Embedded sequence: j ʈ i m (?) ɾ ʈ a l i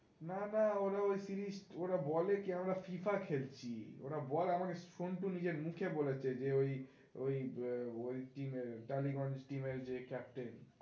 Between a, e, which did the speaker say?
e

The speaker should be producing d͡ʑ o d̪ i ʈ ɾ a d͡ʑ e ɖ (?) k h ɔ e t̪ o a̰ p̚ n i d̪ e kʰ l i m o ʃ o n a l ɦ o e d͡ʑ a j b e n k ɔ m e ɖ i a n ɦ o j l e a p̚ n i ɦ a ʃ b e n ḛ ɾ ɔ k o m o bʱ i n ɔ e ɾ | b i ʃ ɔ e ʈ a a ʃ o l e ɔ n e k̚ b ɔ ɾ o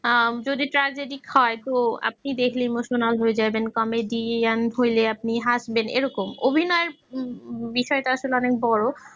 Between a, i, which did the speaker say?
i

